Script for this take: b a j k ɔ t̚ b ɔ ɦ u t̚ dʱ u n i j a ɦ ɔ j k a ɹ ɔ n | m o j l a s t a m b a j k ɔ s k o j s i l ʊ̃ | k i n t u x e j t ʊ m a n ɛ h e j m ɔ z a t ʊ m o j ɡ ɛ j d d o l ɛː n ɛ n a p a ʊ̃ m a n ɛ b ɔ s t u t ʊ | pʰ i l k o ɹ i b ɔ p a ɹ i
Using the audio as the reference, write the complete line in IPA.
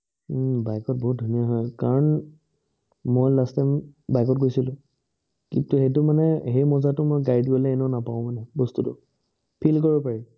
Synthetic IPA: b a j k ɔ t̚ b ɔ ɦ u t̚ dʱ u n i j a ɦ ɔ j k a ɹ ɔ n | m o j l a s t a m b a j k ɔ t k o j s i l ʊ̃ | k i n t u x e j t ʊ m a n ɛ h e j m ɔ z a t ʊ m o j ɡ a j d ɡ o l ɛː n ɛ n a p a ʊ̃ m a n ɛ b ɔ s t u t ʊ | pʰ i l k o ɹ i b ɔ p a ɹ i

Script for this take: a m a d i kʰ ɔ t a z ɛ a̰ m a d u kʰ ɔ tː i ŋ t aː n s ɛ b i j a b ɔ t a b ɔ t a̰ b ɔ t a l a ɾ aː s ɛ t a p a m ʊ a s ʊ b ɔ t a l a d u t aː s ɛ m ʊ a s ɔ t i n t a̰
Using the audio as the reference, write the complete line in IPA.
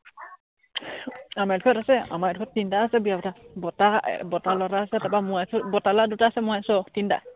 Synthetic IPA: a m a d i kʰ ɔ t a s ɛ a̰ m a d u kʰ ɔ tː i n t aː s ɛ b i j a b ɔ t a b ɔ t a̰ b ɔ t a l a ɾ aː s ɛ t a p a m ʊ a s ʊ b ɔ t a l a d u t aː s ɛ m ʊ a s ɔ t i n t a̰

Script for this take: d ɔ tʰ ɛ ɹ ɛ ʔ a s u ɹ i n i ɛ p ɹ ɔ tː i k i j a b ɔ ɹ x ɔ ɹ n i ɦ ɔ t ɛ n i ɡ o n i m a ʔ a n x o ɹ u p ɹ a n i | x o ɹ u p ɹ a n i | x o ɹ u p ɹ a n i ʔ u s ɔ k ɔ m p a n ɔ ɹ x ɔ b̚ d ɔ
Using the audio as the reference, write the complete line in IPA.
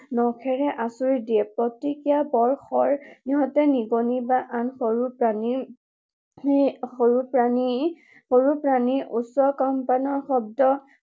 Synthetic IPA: n ɔ kʰ ɛ ɹ ɛ ʔ a s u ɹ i d i ɛ p ɹ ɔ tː i k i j a b ɔ ɹ x ɔ ɹ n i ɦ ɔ t ɛ n i ɡ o n i b a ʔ a n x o ɹ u p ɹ a n i | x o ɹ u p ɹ a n i | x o ɹ u p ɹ a n i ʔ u s ɔ k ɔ m p a n ɔ ɹ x ɔ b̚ d ɔ

